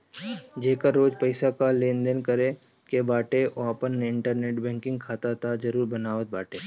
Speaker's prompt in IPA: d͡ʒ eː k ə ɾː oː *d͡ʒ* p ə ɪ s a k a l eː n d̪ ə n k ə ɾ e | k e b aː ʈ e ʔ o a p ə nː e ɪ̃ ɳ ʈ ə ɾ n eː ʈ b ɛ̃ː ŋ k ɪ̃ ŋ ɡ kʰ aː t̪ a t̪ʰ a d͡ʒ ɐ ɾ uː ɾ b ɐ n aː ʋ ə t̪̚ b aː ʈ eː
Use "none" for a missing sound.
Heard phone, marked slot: d͡ʒ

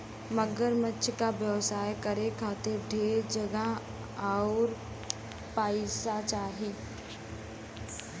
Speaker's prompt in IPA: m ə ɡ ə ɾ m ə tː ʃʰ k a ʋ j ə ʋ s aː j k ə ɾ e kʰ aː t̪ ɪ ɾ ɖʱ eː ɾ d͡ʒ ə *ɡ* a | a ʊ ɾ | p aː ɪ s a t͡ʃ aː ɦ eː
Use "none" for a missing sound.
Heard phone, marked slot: ɡ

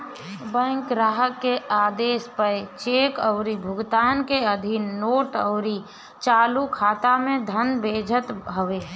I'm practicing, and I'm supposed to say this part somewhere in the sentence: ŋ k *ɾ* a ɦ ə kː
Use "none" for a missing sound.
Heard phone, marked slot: ɾ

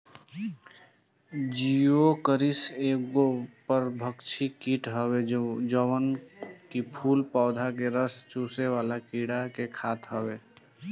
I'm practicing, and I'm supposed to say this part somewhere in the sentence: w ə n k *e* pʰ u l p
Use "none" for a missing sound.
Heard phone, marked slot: i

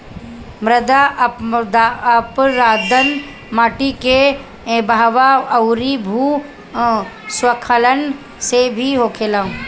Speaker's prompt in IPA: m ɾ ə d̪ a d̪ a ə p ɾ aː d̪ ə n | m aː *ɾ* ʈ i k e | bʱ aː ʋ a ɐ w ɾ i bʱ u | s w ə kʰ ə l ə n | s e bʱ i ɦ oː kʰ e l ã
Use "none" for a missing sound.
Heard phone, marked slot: none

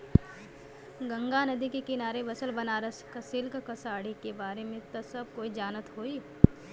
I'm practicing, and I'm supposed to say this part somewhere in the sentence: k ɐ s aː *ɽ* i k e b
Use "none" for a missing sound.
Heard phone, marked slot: ɽ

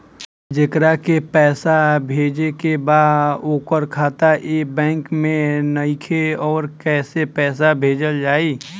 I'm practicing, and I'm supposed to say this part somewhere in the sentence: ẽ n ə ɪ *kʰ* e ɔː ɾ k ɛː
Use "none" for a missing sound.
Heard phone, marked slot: kʰ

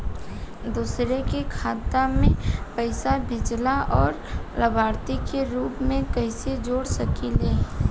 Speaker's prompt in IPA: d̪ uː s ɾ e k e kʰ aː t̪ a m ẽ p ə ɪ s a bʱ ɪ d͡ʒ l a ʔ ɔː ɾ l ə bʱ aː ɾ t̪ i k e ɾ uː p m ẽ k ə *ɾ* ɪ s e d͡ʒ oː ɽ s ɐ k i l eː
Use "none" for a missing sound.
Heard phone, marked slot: none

